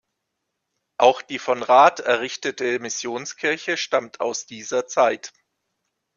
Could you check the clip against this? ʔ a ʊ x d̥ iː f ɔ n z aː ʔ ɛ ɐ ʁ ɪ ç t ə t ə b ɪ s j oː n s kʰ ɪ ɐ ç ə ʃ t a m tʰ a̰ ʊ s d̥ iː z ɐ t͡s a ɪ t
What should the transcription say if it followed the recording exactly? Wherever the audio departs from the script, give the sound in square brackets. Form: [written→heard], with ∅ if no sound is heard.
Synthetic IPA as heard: ʔ a ʊ x d̥ iː f ɔ n [z→ʁ] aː [ʔ→t] ɛ ɐ ʁ ɪ ç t ə t ə [b→m] ɪ s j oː n s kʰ ɪ ɐ ç ə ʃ t a m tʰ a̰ ʊ s d̥ iː z ɐ t͡s a ɪ t

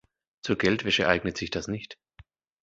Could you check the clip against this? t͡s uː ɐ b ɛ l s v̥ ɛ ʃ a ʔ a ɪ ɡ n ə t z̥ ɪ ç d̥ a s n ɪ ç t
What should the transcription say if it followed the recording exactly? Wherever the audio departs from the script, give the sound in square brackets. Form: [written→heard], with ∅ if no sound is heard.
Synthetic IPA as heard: t͡s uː ɐ [b→ɡ] ɛ l [s→t] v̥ ɛ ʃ [a→ə] ʔ a ɪ ɡ n ə t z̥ ɪ ç d̥ a s n ɪ ç t

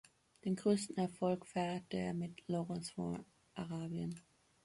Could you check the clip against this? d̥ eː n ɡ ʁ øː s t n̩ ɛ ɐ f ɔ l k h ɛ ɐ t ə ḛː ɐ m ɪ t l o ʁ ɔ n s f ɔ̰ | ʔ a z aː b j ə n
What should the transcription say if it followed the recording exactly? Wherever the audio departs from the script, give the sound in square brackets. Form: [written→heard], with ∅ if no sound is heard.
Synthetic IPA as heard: d̥ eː n ɡ ʁ øː s t n̩ ɛ ɐ f ɔ l k [h→f] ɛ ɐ t ə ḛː ɐ m ɪ t l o ʁ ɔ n s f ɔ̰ | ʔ a [z→ʁ] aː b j ə n

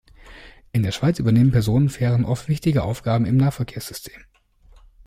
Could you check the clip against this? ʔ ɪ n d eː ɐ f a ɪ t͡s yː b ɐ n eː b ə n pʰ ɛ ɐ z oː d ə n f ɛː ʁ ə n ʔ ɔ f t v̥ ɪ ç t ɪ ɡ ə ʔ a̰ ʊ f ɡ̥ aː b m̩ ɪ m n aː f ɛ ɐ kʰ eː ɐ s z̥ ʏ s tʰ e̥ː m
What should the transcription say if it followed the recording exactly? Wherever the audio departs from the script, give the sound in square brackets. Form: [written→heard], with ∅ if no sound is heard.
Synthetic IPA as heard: ʔ ɪ n d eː ɐ [f→ʃ] a ɪ t͡s yː b ɐ n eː [b→m] ə n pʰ ɛ ɐ z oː [d→n] ə n f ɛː ʁ ə n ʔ ɔ f t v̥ ɪ ç t ɪ ɡ ə ʔ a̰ ʊ f ɡ̥ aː b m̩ ɪ m n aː f ɛ ɐ kʰ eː ɐ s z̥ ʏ s tʰ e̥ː m

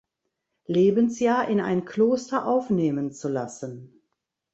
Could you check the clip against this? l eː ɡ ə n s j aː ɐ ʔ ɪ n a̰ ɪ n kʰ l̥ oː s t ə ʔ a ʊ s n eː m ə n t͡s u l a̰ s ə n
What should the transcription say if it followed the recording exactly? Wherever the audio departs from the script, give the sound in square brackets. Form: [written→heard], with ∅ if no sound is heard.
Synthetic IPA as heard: l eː [ɡ→b] ə n s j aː ɐ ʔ ɪ n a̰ ɪ n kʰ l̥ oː s t [ə→ɐ] ʔ a ʊ [s→f] n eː m ə n t͡s u l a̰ s ə n

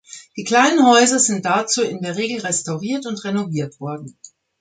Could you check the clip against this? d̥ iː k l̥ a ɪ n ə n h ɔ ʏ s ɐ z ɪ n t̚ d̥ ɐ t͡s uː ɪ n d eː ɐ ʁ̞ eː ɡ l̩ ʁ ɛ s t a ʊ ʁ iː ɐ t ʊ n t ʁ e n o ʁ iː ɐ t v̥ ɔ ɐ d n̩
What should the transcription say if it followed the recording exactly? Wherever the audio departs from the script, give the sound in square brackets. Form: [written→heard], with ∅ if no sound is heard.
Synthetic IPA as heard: d̥ iː k l̥ a ɪ n ə n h ɔ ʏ [s→z] ɐ z ɪ n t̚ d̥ [ɐ→a] t͡s uː ɪ n d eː ɐ ʁ̞ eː ɡ l̩ ʁ ɛ s t a ʊ ʁ iː ɐ t ʊ n t ʁ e n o [ʁ→v] iː ɐ t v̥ ɔ ɐ d n̩

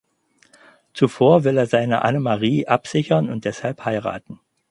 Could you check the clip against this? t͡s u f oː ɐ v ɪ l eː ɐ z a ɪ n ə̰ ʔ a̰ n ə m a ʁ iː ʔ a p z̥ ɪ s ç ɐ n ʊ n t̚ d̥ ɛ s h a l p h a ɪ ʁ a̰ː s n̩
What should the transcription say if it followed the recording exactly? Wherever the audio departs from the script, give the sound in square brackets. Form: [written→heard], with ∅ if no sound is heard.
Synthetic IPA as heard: t͡s u f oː ɐ v ɪ l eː ɐ z a ɪ n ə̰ ʔ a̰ n ə m a ʁ iː ʔ a p z̥ ɪ [s→∅] ç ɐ n ʊ n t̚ d̥ ɛ s h a l p h a ɪ ʁ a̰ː [s→t] n̩

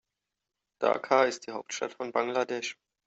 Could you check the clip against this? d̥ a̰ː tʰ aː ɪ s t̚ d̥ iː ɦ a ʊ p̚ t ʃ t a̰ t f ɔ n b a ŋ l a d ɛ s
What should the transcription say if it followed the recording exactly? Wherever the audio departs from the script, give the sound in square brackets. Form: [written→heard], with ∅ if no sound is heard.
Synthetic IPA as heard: d̥ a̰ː [tʰ→kʰ] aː ɪ s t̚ d̥ iː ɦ a ʊ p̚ t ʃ t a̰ t f ɔ n b a ŋ l a d ɛ [s→ʃ]

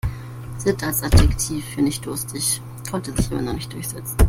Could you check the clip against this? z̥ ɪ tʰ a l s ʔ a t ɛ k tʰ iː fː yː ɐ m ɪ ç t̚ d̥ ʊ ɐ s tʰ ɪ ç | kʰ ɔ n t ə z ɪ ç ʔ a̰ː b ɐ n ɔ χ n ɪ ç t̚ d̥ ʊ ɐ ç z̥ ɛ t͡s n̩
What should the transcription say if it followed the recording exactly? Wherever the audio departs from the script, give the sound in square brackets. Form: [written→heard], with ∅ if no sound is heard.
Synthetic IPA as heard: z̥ ɪ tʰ a l s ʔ a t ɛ k tʰ iː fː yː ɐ [m→n] ɪ ç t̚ d̥ ʊ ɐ s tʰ ɪ ç | kʰ ɔ n t ə z ɪ ç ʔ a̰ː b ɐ n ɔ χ n ɪ ç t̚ d̥ ʊ ɐ ç z̥ ɛ t͡s n̩

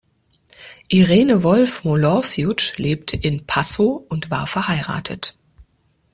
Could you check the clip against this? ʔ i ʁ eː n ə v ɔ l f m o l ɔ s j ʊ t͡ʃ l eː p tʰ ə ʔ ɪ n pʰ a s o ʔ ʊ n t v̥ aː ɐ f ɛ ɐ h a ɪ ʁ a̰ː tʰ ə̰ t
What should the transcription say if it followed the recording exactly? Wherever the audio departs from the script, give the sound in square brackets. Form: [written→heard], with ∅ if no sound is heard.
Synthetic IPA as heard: ʔ i ʁ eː n ə v ɔ l f m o l ɔ s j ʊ t͡ʃ l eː p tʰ ə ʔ ɪ n pʰ a s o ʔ ʊ n t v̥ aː ɐ f ɛ ɐ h a ɪ ʁ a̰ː tʰ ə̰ t

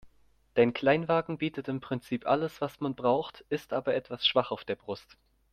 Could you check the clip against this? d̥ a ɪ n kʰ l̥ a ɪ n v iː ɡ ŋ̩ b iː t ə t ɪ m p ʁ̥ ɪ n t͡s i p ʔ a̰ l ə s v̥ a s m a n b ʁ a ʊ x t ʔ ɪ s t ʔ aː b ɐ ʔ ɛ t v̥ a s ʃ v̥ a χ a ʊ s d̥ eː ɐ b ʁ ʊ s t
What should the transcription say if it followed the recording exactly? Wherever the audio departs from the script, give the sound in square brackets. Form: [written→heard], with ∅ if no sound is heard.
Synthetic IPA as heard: d̥ a ɪ n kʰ l̥ a ɪ n v [iː→aː] ɡ ŋ̩ b iː t ə t ɪ m p ʁ̥ ɪ n t͡s [i→iː] p ʔ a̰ l ə s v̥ a s m a n b ʁ a ʊ x t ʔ ɪ s t ʔ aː b ɐ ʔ ɛ t v̥ a s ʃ v̥ a χ a ʊ [s→f] d̥ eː ɐ b ʁ ʊ s t

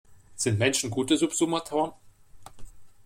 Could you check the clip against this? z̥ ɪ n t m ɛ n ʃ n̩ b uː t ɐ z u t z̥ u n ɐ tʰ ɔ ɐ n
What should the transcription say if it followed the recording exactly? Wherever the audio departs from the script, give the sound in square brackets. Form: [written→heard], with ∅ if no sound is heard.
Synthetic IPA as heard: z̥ ɪ n t m ɛ n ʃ n̩ [b→ɡ] uː t [ɐ→ə] z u [t→p] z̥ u [n→m] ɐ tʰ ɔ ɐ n

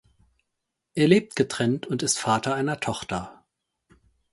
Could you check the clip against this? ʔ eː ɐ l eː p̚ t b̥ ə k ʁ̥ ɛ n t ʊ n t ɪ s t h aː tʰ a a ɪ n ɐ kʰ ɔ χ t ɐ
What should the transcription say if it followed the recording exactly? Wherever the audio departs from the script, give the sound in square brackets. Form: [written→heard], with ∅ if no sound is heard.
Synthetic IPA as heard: ʔ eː ɐ l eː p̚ t [b̥→ɡ̥] ə [k→t] ʁ̥ ɛ n t ʊ n t ɪ s t [h→f] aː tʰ [a→ɐ] a ɪ n ɐ [kʰ→tʰ] ɔ χ t ɐ

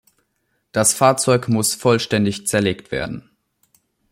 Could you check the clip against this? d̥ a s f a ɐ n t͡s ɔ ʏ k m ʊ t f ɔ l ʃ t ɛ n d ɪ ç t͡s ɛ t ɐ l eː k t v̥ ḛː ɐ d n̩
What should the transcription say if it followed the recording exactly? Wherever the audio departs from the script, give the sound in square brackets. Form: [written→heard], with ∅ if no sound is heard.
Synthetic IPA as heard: d̥ a s f a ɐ [n→∅] t͡s ɔ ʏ k m ʊ [t→s] f ɔ l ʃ t ɛ n d ɪ ç t͡s ɛ [t→∅] ɐ l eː k t v̥ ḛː ɐ d n̩

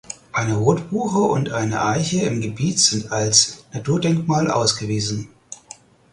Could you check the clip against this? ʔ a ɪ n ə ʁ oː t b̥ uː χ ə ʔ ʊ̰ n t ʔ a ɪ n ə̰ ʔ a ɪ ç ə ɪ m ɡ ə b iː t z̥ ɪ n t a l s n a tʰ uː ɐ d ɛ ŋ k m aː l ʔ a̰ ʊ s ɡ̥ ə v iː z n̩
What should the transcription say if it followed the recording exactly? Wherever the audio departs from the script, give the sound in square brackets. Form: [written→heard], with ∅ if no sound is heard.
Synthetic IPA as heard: ʔ a ɪ n ə ʁ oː t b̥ uː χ ə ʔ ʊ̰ n t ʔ a ɪ n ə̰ ʔ a ɪ ç ə ɪ m ɡ ə b iː t z̥ ɪ n t a l s n a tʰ uː ɐ d ɛ ŋ k m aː l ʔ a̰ ʊ s ɡ̥ ə v iː z n̩

